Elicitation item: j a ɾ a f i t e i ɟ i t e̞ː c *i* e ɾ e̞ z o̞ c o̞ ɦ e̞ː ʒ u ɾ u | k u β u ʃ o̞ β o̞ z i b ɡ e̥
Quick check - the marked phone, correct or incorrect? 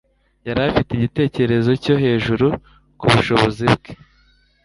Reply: incorrect